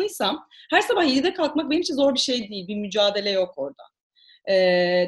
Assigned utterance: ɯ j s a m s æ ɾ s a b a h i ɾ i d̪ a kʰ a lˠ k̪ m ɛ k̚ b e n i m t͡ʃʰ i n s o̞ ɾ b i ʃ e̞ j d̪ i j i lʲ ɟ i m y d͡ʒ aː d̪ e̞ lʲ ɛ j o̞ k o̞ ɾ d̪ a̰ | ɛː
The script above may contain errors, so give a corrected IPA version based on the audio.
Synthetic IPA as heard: ɯ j s a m h æ ɾ s a b a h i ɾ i d̪ ɛ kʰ a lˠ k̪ m a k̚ b e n i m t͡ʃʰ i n z o̞ ɾ b i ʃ e̞ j d̪ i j i lʲ b i m y d͡ʒ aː d̪ e̞ lʲ ɛ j o̞ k o̞ ɾ d̪ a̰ | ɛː